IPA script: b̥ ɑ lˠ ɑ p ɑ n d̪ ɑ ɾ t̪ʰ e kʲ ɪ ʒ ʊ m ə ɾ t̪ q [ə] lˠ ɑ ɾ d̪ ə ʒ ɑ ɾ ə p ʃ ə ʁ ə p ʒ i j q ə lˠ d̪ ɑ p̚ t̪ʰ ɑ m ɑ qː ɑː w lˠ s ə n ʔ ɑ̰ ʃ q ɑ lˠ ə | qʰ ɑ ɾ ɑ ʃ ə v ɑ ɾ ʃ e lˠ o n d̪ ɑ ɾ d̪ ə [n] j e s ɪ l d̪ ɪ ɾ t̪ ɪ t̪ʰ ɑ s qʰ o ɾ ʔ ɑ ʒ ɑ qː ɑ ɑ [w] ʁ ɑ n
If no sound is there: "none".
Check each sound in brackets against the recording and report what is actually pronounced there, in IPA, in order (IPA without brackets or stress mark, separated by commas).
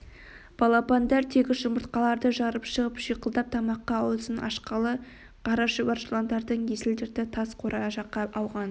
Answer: ɑ, ɴ, w